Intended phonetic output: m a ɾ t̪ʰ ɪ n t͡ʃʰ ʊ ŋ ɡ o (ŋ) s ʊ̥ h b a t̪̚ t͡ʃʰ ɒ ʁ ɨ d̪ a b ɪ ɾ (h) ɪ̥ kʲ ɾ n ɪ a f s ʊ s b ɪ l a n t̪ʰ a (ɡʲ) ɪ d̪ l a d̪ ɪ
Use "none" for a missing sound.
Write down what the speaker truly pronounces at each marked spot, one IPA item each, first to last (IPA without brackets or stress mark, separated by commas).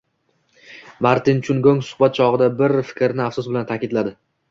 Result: ŋ, f, kʲ